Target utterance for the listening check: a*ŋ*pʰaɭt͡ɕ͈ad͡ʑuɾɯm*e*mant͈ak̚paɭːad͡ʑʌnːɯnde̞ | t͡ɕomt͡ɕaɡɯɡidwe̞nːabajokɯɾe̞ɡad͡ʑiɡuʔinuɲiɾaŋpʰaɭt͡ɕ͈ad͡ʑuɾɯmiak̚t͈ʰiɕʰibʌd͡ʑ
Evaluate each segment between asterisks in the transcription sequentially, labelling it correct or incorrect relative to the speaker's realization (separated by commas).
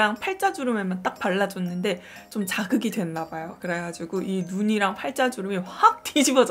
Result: correct, correct